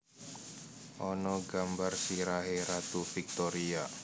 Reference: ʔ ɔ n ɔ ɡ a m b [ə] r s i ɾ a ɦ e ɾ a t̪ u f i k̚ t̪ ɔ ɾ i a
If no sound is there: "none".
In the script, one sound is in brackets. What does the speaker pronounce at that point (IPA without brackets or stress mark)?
a